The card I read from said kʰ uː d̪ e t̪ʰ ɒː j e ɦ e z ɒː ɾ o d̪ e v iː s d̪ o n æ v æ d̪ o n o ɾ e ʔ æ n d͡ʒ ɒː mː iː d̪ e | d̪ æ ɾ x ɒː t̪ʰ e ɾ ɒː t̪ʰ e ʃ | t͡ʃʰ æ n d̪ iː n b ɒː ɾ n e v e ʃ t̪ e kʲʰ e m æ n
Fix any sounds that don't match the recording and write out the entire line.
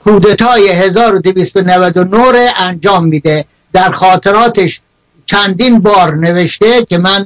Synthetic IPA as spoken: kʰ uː d̪ e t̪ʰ ɒː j e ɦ e z ɒː ɾ o d̪ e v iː s t̪ o n æ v æ d̪ o n o ɾ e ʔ æ n d͡ʒ ɒː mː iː d̪ e | d̪ æ ɾ x ɒː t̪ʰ e ɾ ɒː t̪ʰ e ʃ | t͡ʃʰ æ n d̪ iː n b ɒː ɾ n e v e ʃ t̪ e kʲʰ e m æ n